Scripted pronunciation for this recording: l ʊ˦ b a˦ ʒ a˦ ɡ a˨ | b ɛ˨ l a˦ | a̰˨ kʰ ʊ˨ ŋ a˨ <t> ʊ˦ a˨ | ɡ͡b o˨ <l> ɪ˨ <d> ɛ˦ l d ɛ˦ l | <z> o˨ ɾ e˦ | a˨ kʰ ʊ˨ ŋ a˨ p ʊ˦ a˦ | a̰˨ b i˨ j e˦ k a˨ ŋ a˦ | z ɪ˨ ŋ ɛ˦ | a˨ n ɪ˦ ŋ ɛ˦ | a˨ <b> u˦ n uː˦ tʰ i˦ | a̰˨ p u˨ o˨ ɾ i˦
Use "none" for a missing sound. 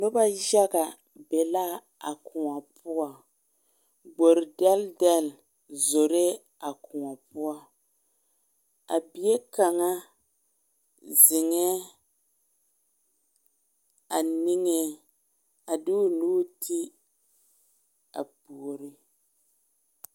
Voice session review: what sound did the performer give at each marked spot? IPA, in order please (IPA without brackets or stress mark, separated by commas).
p, ɾ, d, z, d